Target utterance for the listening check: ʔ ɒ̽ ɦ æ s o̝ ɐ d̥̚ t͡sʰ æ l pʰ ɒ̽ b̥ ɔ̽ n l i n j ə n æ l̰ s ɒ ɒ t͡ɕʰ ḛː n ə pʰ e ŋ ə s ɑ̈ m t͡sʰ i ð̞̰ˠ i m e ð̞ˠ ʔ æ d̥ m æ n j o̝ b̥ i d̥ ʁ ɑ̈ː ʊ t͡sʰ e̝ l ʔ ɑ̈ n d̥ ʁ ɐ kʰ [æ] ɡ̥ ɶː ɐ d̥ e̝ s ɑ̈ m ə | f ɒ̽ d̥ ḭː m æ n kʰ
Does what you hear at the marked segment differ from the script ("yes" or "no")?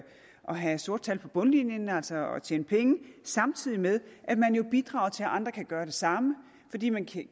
no